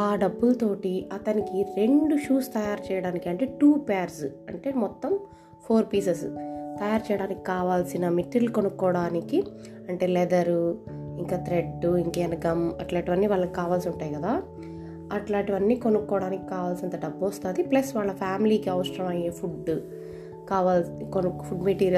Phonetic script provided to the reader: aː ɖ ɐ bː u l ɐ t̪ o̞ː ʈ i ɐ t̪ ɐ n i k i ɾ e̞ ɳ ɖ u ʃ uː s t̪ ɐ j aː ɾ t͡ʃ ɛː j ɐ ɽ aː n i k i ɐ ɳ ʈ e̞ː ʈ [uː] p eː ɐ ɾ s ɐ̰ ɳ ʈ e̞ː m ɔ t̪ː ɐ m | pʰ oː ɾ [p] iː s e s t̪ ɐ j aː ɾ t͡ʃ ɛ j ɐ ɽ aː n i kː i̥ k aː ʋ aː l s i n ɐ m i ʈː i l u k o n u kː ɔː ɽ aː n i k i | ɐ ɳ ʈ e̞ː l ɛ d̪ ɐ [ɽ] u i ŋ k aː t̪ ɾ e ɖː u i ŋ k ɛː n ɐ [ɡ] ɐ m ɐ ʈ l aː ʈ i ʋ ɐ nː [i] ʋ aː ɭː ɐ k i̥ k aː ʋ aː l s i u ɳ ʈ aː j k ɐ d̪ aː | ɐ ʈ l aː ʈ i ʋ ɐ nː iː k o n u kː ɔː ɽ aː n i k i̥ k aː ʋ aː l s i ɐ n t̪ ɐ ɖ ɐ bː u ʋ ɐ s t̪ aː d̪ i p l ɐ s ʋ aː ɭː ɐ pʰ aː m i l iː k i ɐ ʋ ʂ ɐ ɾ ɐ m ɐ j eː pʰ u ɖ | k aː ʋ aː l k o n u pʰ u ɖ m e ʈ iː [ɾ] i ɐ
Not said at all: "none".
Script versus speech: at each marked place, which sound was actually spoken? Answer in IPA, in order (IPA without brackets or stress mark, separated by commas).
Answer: uː, p, ɾ, ɡ, iː, ɾ